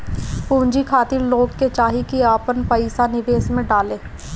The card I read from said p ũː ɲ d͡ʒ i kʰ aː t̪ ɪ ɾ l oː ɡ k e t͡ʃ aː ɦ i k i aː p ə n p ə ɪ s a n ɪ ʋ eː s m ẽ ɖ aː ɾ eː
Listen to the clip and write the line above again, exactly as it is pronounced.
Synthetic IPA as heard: p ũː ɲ d͡ʒ i kʰ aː t̪ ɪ ɾ l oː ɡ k e t͡ʃ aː ɦ i k i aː p ə n p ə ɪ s a n ɪ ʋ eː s m ẽ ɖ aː l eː